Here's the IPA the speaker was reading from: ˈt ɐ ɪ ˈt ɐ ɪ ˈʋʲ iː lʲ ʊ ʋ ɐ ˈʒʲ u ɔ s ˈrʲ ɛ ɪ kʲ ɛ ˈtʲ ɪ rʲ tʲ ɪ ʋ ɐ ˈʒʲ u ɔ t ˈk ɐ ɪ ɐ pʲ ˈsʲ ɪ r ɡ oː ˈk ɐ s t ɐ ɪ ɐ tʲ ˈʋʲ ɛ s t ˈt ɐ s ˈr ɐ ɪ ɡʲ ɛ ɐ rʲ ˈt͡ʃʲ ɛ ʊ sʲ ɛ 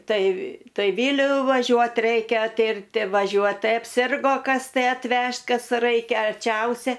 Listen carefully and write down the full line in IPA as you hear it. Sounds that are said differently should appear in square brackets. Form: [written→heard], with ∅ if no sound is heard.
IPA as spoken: ˈt ɐ ɪ ˈt ɐ ɪ ˈʋʲ iː lʲ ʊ ʋ ɐ ˈʒʲ u ɔ [s→t] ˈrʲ ɛ ɪ kʲ ɛ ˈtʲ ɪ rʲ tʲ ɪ ʋ ɐ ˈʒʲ u ɔ t [ˈk→ˈt] ɐ ɪ ɐ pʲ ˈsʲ ɪ r ɡ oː ˈk ɐ s t ɐ ɪ ɐ tʲ ˈʋʲ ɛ [s→ʃ] t [ˈt→ˈk] ɐ s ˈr ɐ ɪ [ɡʲ→kʲ] ɛ ɐ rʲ ˈt͡ʃʲ ɛ ʊ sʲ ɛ

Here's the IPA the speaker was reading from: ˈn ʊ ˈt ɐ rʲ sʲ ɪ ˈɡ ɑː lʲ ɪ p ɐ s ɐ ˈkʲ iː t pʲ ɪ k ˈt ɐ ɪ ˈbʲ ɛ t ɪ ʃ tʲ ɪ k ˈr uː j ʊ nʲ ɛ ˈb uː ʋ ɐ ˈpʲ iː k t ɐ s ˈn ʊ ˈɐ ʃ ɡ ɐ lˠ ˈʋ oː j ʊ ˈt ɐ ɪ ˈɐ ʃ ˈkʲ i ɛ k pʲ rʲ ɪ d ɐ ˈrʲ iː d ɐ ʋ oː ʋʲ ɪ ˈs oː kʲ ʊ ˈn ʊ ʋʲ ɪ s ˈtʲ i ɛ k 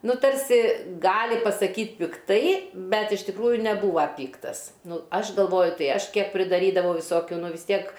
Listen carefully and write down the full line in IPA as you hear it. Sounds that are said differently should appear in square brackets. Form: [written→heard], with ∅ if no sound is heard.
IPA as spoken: ˈn ʊ ˈt ɐ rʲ sʲ ɪ ˈɡ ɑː lʲ ɪ p ɐ s ɐ ˈkʲ iː t pʲ ɪ k ˈt ɐ ɪ ˈbʲ ɛ t ɪ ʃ tʲ ɪ k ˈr uː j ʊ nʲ ɛ ˈb uː ʋ ɐ ˈpʲ iː k t ɐ s ˈn ʊ ˈɐ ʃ ɡ ɐ lˠ ˈʋ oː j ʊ ˈt ɐ ɪ ˈɐ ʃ ˈkʲ i ɛ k pʲ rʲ ɪ d ɐ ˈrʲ iː d ɐ ʋ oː ʋʲ ɪ ˈs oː kʲ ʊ ˈn ʊ ʋʲ ɪ s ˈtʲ i ɛ k

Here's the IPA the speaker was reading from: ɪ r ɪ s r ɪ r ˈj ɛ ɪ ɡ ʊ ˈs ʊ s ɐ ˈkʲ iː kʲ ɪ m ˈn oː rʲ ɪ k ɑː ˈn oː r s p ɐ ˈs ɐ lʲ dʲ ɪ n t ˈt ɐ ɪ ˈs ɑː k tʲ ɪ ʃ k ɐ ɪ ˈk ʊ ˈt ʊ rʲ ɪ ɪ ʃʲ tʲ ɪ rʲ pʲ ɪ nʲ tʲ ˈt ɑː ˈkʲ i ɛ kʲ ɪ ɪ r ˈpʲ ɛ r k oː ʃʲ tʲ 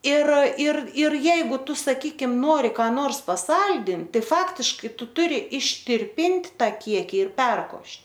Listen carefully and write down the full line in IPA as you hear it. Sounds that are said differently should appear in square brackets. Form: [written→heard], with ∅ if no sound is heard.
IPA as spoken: ɪ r ɪ [s→∅] r ɪ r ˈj ɛ ɪ ɡ ʊ [ˈs→ˈt] ʊ s ɐ ˈkʲ iː kʲ ɪ m ˈn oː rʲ ɪ k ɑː ˈn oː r s p ɐ ˈs ɐ lʲ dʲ ɪ n t ˈt ɐ ɪ [ˈs→ˈf] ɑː k tʲ ɪ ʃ k ɐ ɪ [ˈk→ˈt] ʊ ˈt ʊ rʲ ɪ ɪ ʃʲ tʲ ɪ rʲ pʲ ɪ nʲ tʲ ˈt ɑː ˈkʲ i ɛ kʲ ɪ ɪ r ˈpʲ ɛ r k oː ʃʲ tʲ

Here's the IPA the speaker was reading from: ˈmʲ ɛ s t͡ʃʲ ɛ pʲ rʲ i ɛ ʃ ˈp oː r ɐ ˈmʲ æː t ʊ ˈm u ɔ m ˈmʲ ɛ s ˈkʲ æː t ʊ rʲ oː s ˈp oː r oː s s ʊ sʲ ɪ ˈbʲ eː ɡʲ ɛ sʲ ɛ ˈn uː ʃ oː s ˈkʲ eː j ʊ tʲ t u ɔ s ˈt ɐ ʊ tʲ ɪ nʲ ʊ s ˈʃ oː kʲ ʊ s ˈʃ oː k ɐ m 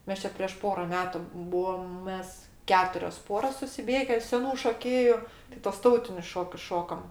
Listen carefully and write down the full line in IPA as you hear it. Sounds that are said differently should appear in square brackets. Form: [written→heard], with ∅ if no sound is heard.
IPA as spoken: ˈmʲ ɛ s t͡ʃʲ ɛ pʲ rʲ i ɛ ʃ ˈp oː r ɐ ˈmʲ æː t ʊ [ˈm→ˈb] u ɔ m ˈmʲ ɛ s ˈkʲ æː t ʊ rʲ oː s ˈp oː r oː s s ʊ sʲ ɪ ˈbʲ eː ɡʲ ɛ sʲ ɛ ˈn uː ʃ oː [s→∅] ˈkʲ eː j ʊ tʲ t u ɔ s ˈt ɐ ʊ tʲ ɪ nʲ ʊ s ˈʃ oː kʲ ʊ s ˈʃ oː k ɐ m

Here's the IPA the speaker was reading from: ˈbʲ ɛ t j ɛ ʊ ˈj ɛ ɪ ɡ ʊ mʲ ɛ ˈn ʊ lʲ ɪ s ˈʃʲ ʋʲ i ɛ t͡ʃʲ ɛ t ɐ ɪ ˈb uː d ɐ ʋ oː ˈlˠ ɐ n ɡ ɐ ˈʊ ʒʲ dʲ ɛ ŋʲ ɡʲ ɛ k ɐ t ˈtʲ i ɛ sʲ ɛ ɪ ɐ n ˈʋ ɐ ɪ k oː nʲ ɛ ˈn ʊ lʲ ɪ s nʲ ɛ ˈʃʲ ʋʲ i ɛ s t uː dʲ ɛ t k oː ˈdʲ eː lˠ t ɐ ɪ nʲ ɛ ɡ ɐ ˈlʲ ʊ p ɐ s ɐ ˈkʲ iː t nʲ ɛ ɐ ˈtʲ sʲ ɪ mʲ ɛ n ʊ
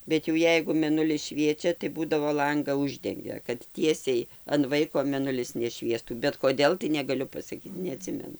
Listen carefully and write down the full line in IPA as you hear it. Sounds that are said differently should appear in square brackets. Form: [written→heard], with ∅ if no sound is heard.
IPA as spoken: ˈbʲ ɛ t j ɛ ʊ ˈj ɛ ɪ ɡ ʊ mʲ ɛ ˈn ʊ lʲ ɪ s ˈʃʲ ʋʲ i ɛ t͡ʃʲ ɛ t ɐ ɪ ˈb uː d ɐ ʋ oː ˈlˠ ɐ [n→ŋ] ɡ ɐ ˈʊ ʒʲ dʲ ɛ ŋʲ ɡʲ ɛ k ɐ t ˈtʲ i ɛ sʲ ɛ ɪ ɐ n ˈʋ ɐ ɪ k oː [nʲ→mʲ] ɛ ˈn ʊ lʲ ɪ s nʲ ɛ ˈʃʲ ʋʲ i ɛ s t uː [dʲ→bʲ] ɛ t k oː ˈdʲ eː lˠ t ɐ ɪ nʲ ɛ ɡ ɐ ˈlʲ ʊ p ɐ s ɐ ˈkʲ iː t nʲ ɛ ɐ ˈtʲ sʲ ɪ mʲ ɛ n ʊ

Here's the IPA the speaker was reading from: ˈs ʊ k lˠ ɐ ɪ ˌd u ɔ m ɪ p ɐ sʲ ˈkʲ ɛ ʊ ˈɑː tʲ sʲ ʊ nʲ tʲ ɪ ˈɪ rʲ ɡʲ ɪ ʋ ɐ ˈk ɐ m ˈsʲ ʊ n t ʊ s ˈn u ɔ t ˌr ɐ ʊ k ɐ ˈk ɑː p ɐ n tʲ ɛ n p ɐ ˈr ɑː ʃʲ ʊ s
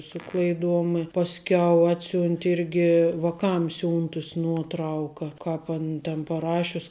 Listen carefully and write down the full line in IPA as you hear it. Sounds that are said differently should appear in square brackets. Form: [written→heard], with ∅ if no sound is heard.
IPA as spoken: ˈs ʊ k lˠ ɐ ɪ ˌd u ɔ m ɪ p ɐ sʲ ˈkʲ ɛ ʊ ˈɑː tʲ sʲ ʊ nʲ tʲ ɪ ˈɪ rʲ ɡʲ ɪ ʋ ɐ ˈk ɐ m ˈsʲ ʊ n t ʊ s ˈn u ɔ t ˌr ɐ ʊ k ɐ ˈk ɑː p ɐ n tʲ ɛ n p ɐ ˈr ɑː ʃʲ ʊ s

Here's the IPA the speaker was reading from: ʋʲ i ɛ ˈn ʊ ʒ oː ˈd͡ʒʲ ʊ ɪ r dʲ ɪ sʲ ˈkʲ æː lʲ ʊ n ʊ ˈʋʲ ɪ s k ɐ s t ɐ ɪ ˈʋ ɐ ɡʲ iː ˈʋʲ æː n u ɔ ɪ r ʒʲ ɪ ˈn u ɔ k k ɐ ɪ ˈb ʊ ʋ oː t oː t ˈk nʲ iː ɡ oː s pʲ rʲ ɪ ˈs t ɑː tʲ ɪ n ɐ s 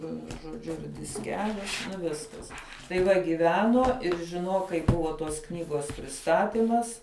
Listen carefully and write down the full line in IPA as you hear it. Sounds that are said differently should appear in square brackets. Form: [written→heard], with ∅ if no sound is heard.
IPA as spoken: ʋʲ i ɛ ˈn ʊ ʒ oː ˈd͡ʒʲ ʊ ɪ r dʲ ɪ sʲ ˈkʲ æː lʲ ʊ n ʊ ˈʋʲ ɪ s k ɐ s t ɐ ɪ ˈʋ ɐ ɡʲ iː ˈʋʲ æː n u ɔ ɪ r ʒʲ ɪ ˈn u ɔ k k ɐ ɪ ˈb ʊ ʋ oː t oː [t→s] ˈk nʲ iː ɡ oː s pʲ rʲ ɪ ˈs t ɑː tʲ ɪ [n→m] ɐ s

